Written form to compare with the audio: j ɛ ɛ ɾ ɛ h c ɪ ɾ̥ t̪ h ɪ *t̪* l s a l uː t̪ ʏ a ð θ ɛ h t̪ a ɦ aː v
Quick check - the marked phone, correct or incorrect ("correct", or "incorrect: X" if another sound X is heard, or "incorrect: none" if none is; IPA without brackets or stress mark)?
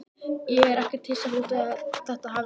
incorrect: none